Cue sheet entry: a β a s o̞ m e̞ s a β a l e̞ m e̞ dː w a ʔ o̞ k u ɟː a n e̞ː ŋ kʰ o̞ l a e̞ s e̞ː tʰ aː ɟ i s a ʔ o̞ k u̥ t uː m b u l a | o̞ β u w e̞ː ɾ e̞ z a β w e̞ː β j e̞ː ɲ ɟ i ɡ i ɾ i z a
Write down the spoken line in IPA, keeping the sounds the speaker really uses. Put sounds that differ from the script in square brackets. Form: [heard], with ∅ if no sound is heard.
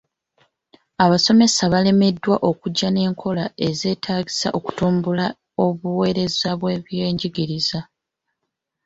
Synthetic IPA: a β a s o̞ m e̞ s a β a l e̞ m e̞ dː w a ʔ o̞ k u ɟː a n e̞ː ŋ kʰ o̞ l a e̞ [z] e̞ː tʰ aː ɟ i s a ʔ o̞ k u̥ t uː m b u l a | o̞ β u w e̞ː ɾ e̞ z a β w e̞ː β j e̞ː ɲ ɟ i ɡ i ɾ i z a